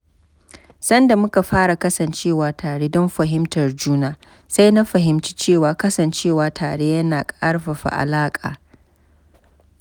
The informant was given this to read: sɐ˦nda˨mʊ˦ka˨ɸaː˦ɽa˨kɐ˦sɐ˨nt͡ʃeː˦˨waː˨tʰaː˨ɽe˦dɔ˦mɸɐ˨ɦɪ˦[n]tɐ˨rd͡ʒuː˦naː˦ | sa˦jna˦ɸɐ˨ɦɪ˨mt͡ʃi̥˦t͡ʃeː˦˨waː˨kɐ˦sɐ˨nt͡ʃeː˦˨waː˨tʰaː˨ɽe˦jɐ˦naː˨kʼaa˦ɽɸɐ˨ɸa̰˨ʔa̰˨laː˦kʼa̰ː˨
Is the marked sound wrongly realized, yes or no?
yes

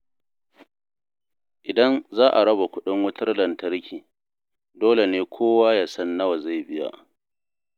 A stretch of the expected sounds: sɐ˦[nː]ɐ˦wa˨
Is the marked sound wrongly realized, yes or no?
no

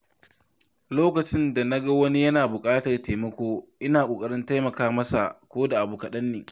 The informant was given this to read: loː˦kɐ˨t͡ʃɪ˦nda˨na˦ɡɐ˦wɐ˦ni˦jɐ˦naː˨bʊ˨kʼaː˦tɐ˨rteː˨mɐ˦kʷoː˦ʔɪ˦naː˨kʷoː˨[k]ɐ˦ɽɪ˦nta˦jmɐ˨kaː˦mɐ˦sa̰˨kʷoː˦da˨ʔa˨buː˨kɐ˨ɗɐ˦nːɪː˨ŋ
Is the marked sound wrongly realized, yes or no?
yes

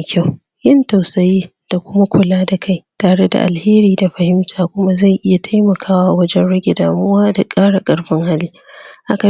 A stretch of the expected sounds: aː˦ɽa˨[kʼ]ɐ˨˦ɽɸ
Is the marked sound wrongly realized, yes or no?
no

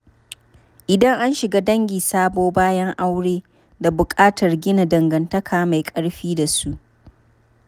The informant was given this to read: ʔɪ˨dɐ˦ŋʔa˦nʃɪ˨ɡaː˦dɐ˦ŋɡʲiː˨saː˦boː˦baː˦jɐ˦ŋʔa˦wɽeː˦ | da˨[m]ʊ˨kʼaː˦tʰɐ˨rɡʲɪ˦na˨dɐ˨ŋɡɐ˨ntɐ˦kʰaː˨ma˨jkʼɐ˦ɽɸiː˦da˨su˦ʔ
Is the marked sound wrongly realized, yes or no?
yes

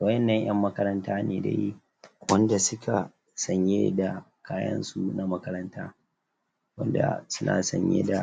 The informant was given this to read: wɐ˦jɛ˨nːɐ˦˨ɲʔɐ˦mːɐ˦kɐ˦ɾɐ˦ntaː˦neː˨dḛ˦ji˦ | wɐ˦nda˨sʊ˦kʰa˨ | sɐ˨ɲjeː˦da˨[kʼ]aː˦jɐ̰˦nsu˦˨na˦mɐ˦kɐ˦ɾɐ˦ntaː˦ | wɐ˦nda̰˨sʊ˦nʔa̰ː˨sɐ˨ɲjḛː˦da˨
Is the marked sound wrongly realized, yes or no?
yes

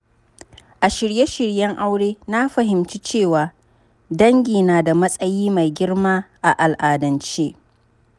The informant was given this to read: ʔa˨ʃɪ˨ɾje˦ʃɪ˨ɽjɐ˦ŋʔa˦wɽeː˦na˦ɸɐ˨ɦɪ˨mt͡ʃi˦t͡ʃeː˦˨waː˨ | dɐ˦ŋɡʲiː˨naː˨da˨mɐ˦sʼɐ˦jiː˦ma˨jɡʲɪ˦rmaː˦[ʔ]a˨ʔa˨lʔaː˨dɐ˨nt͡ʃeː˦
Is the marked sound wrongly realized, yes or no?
no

